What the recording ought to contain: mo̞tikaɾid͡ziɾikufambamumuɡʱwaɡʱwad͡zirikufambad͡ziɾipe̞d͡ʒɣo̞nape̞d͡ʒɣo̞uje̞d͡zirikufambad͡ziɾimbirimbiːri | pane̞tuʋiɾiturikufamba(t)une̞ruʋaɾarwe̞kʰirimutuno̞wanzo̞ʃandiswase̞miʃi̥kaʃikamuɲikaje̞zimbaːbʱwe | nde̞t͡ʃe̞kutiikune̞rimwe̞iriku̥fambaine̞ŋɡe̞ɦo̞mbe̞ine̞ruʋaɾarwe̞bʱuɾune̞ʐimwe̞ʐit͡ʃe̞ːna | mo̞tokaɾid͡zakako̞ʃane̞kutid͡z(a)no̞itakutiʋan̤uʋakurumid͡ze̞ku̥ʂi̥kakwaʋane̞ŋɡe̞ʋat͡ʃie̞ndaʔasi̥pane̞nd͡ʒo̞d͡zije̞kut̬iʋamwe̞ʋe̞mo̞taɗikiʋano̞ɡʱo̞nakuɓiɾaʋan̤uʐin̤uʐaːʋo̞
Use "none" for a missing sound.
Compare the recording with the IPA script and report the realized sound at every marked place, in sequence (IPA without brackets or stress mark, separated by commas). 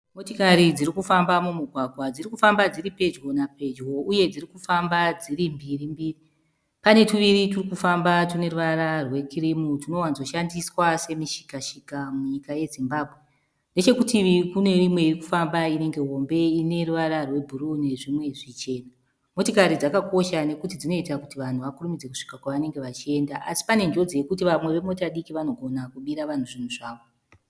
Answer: t, i